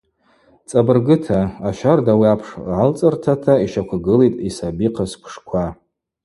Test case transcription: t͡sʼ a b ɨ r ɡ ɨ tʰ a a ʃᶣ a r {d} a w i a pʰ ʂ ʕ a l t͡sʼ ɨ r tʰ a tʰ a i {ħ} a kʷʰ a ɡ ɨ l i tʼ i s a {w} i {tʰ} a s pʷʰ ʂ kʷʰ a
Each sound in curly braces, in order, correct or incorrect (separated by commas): correct, incorrect, incorrect, incorrect